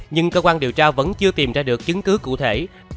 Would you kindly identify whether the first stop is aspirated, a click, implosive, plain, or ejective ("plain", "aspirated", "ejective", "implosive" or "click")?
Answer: plain